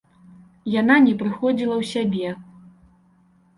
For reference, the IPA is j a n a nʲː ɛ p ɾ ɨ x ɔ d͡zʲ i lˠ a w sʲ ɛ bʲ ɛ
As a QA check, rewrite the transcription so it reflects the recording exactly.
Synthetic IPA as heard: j a n a nʲ ɛ p ɾ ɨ x ɔ d͡zʲ i lˠ ɐ w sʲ a bʲ ɛ